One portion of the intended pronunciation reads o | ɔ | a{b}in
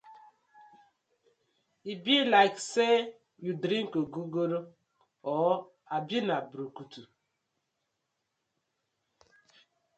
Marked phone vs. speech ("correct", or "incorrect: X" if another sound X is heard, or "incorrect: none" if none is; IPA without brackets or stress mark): correct